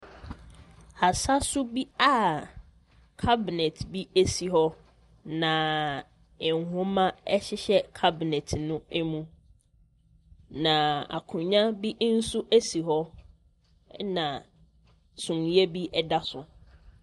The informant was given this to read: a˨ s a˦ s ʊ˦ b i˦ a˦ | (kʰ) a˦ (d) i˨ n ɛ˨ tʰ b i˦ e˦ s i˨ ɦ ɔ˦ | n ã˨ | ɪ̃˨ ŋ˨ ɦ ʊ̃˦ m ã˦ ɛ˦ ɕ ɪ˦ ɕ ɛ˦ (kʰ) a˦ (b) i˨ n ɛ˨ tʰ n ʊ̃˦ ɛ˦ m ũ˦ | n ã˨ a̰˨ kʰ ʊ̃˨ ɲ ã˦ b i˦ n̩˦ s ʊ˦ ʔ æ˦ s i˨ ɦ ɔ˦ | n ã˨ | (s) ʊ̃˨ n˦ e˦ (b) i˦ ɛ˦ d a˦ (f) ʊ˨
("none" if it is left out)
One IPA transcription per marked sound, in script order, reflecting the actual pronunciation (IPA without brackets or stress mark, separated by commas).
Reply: kʰ, b, kʰ, b, s, b, s